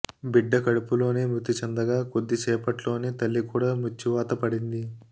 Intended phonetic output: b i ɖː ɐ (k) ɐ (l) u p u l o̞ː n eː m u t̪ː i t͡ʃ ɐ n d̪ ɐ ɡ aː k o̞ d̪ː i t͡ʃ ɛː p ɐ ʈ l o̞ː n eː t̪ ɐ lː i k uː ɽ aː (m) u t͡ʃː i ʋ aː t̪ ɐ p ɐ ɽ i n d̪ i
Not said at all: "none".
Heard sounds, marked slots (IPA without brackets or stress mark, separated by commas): k, ɽ, m